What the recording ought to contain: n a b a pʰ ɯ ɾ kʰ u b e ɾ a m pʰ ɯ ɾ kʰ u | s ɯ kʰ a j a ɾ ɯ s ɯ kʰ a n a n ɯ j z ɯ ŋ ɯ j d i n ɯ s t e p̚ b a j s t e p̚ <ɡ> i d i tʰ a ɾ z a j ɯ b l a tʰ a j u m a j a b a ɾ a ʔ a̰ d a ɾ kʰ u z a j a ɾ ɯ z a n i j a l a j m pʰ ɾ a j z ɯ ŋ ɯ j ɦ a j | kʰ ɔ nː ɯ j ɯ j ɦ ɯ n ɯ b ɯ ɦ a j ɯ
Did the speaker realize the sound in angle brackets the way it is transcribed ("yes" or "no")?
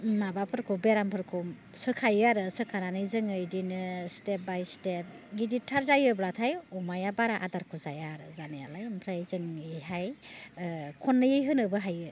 yes